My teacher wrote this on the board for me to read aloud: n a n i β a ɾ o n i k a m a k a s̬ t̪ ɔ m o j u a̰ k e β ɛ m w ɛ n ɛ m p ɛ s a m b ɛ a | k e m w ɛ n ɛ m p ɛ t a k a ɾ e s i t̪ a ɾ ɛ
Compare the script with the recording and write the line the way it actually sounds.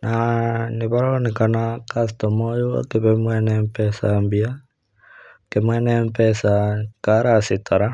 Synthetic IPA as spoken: n a n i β a ɾ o n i k a n a k a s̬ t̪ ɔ m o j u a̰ k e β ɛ m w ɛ n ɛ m p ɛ s a m b i a | k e m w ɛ n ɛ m p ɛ s a k a ɾ a s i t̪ a ɾ a

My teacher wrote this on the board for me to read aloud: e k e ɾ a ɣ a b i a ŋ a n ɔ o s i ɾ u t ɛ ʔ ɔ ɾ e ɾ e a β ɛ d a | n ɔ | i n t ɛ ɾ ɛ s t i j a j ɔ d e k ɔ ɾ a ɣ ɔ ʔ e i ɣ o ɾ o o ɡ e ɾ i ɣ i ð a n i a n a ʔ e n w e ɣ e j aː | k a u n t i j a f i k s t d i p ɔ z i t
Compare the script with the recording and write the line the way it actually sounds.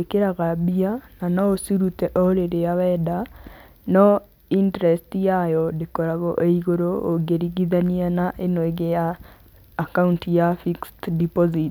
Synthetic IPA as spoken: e k e ɾ a ɣ a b i a n a n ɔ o s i ɾ u t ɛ ʔ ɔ ɾ e ɾ e a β ɛ d a | n ɔ | i n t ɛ ɾ ɛ s t i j a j ɔ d e k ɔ ɾ a ɣ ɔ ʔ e i ɣ o ɾ o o ɡ e ɾ i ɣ i ð a n i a n a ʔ e n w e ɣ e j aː | k a u n t i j a f i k s t d i p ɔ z i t

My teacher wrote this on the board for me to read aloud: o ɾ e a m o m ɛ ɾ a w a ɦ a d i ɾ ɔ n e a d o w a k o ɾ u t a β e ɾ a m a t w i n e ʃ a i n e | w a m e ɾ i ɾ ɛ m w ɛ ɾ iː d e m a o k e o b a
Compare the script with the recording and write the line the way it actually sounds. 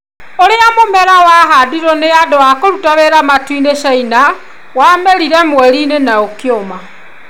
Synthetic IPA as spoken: o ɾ e a m o m ɛ ɾ a w a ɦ a d i ɾ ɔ n e a d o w a k o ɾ u t a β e ɾ a m a t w i n e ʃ a i n a | w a m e ɾ i ɾ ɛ m w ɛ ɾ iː n e n a o k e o m a

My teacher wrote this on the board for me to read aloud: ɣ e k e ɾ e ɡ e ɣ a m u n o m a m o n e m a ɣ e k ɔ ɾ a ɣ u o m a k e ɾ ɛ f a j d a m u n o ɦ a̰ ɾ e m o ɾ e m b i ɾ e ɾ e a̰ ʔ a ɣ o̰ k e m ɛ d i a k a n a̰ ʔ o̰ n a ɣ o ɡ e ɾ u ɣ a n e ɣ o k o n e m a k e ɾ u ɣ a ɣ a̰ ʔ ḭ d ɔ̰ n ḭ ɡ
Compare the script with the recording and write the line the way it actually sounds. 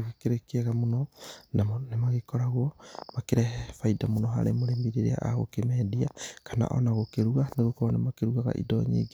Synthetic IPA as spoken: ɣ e k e ɾ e k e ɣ a m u n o n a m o n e m a ɣ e k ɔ ɾ a ɣ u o m a k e ɾ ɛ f a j d a m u n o ɦ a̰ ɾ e m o ɾ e m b i ɾ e ɾ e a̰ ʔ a ɣ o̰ k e m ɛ d i a k a n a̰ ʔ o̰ n a ɣ o k e ɾ u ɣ a n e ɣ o k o n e m a k e ɾ u ɣ a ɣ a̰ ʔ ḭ d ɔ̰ ɲ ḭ ɡ

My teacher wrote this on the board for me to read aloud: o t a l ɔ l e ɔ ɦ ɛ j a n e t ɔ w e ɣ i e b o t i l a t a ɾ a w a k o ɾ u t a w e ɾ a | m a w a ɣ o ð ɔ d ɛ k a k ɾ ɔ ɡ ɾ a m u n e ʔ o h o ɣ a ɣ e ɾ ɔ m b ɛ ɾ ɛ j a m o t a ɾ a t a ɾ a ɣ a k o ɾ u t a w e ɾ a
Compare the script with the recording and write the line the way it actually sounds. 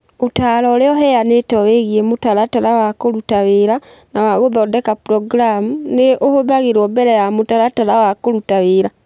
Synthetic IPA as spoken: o t a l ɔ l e ɔ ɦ ɛ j a n e t ɔ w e ɣ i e m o t a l a t a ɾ a w a k o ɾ u t a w e ɾ a | n a w a ɣ o ð ɔ d ɛ k a p ɾ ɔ ɡ ɾ a m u n e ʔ o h o ð a ɣ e ɾ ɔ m b ɛ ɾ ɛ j a m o t a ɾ a t a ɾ a w a k o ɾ u t a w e ɾ a

